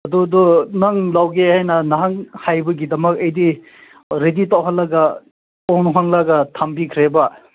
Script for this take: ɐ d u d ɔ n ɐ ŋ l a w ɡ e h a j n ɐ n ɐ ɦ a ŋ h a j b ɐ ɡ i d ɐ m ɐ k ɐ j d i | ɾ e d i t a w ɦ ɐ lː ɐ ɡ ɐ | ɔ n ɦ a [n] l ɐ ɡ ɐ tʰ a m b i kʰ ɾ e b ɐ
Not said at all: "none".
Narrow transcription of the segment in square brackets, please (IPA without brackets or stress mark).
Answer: ŋ